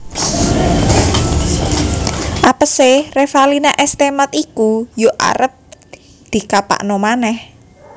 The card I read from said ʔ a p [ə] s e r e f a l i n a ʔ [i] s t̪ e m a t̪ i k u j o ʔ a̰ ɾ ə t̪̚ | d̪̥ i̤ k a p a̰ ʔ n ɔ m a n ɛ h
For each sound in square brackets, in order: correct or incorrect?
correct, incorrect: ɛ

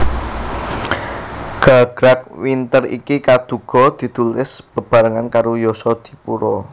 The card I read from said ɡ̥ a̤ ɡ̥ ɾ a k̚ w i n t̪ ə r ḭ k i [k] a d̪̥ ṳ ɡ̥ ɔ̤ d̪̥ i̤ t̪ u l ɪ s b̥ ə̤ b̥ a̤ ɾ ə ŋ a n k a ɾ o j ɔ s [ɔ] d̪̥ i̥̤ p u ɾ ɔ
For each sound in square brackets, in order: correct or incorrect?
correct, correct

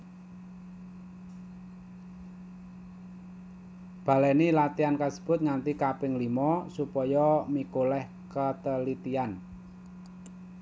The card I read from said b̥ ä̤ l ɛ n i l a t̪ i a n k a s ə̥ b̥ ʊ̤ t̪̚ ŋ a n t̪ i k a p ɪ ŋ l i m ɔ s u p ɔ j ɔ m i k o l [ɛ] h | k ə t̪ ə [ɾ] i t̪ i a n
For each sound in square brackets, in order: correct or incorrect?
correct, incorrect: l

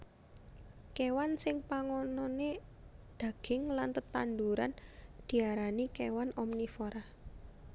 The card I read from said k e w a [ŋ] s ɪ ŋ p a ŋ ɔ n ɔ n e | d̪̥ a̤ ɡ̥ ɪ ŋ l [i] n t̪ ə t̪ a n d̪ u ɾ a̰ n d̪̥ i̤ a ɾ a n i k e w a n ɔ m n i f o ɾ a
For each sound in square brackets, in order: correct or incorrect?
incorrect: n, incorrect: a

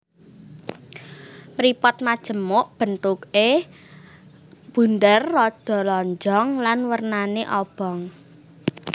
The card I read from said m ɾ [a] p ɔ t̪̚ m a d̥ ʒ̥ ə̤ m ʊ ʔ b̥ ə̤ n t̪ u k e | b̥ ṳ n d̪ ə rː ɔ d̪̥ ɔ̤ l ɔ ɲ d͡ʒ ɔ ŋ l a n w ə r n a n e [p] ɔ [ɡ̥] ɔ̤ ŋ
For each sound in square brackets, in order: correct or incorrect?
incorrect: i, incorrect: ʔ, incorrect: b̥

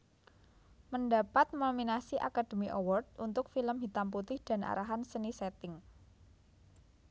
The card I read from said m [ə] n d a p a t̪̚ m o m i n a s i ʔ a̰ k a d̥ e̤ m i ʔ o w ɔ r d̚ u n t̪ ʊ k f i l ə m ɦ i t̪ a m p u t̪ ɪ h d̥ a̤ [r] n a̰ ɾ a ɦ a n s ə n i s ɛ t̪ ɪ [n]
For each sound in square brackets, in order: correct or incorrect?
correct, incorrect: none, incorrect: ŋ

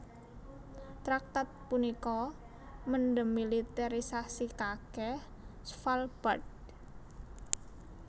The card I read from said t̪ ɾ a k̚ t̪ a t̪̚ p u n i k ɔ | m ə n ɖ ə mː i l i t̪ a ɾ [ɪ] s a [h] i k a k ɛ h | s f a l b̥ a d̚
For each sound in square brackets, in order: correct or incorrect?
incorrect: i, incorrect: s

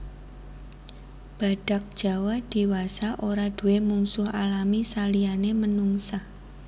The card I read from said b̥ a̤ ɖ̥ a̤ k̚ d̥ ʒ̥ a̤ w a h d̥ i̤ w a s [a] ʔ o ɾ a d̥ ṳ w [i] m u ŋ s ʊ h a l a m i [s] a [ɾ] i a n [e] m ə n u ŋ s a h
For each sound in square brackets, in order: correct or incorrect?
correct, incorrect: e, correct, incorrect: l, correct

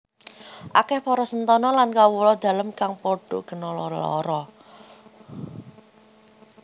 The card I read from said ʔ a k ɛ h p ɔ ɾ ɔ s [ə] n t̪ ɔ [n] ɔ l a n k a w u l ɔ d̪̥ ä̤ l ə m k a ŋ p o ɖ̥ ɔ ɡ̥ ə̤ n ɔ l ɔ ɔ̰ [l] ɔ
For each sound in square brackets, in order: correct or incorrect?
correct, correct, incorrect: ɾ

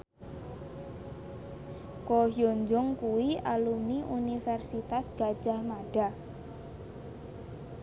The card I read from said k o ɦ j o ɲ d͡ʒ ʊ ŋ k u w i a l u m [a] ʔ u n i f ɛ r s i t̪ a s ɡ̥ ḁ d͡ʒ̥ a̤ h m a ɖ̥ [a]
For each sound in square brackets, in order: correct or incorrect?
incorrect: i, correct

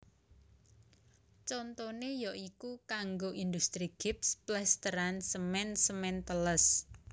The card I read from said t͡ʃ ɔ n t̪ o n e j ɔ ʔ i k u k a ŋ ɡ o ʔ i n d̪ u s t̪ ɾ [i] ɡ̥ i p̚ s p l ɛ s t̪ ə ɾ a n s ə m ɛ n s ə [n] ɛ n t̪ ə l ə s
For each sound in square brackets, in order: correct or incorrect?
correct, incorrect: m

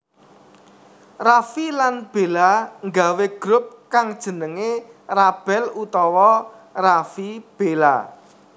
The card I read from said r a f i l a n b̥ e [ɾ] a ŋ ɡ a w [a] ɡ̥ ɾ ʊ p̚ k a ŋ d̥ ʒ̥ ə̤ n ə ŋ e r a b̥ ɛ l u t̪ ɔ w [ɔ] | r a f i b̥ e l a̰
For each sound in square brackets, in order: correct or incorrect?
incorrect: l, incorrect: e, correct

